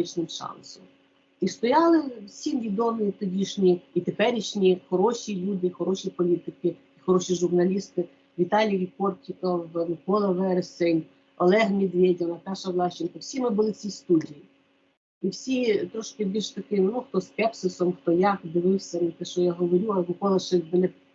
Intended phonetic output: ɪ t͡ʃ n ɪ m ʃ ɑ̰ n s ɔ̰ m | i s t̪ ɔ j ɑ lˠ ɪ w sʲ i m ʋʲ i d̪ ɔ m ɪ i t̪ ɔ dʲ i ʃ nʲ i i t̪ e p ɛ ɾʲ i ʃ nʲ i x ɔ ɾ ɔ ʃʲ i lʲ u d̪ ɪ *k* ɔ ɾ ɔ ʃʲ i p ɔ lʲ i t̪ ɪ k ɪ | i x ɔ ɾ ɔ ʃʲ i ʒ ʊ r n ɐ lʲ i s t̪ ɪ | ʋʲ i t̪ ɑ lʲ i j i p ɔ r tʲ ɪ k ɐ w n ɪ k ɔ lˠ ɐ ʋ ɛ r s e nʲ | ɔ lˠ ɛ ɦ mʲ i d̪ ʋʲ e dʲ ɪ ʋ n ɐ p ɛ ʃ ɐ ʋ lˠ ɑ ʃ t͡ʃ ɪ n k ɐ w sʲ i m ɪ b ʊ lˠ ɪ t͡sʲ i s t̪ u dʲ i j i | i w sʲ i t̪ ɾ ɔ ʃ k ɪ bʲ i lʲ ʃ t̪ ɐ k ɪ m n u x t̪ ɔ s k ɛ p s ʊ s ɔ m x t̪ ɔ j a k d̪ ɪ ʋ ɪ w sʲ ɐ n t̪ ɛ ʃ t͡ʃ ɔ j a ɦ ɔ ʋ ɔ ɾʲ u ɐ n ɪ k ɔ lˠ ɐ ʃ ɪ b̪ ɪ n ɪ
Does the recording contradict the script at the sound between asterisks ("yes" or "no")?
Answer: yes